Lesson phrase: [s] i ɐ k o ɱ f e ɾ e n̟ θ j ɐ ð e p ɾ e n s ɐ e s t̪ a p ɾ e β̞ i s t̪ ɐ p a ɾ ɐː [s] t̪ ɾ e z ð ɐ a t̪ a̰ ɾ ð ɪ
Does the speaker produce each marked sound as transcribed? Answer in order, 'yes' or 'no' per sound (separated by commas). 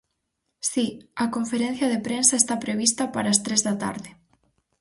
yes, yes